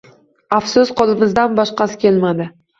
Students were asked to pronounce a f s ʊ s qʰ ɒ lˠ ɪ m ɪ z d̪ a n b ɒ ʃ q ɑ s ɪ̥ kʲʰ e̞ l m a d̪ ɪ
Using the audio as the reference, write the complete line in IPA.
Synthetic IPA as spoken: a f s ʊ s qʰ ɒ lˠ ɪ m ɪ z d̪ a n b ɒ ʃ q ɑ s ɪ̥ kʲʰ e̞ l m a d̪ ɪ